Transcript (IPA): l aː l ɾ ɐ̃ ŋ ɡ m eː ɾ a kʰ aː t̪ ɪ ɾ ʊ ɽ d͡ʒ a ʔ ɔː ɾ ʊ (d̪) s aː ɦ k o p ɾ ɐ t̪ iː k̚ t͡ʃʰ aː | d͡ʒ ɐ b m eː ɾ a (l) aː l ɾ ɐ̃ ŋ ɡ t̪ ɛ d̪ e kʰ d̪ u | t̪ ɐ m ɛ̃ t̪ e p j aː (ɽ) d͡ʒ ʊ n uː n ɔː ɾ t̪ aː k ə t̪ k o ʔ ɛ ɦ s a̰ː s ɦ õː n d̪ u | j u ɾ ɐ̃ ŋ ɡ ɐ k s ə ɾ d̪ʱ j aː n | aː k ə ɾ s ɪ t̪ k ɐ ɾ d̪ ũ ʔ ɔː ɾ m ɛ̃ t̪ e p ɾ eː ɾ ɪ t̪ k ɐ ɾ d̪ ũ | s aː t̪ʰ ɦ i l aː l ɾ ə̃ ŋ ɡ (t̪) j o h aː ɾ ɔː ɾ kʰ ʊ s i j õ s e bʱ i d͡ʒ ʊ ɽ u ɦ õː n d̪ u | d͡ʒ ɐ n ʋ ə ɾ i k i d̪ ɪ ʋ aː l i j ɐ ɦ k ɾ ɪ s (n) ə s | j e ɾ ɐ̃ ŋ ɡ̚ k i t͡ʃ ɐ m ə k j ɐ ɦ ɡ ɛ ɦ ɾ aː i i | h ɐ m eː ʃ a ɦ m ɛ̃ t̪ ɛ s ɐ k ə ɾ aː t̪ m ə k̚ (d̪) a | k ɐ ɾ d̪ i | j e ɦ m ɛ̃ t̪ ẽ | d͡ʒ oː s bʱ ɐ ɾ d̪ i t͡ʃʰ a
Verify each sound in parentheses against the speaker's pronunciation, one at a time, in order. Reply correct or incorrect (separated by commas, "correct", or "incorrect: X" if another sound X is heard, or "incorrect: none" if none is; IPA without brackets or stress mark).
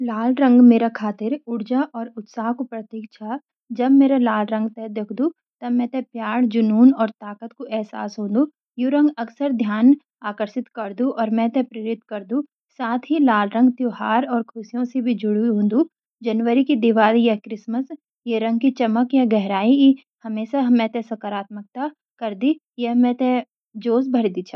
incorrect: t̪, correct, correct, correct, incorrect: m, incorrect: t̪